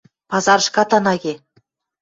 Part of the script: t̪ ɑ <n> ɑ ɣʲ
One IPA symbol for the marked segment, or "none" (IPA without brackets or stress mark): n